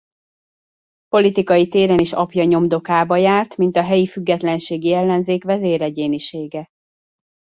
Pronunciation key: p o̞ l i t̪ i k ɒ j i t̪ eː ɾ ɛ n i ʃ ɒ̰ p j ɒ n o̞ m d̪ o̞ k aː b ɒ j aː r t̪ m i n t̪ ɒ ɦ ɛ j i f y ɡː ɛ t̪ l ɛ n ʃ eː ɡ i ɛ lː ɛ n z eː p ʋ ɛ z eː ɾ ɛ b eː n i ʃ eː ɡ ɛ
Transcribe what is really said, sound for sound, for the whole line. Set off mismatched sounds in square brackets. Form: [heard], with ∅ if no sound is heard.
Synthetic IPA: p o̞ l i t̪ i k ɒ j i t̪ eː ɾ ɛ n i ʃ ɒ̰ p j ɒ [ɲ] o̞ m d̪ o̞ k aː b ɒ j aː r t̪ m i n t̪ ɒ ɦ ɛ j i f y ɡː ɛ t̪ l ɛ n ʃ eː ɡ i ɛ lː ɛ n z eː [k] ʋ ɛ z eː ɾ ɛ [ɟ] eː n i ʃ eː ɡ ɛ